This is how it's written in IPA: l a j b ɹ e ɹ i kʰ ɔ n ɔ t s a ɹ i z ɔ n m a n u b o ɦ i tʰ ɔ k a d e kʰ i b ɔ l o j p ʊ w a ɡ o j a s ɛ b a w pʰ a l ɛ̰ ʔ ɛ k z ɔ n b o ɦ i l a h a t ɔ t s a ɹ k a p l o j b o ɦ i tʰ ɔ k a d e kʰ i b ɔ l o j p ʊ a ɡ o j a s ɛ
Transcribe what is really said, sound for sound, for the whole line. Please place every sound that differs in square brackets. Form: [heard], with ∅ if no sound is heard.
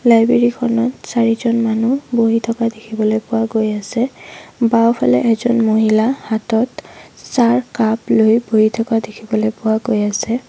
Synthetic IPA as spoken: l a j b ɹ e ɹ i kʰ ɔ n ɔ t s a ɹ i z ɔ n m a n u b o ɦ i tʰ ɔ k a d e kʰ i b ɔ l o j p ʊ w a ɡ o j a s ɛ b a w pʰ a l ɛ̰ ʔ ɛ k z ɔ n [m] o ɦ i l a h a t ɔ t s a ɹ k a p l o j b o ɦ i tʰ ɔ k a d e kʰ i b ɔ l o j p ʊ a ɡ o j a s ɛ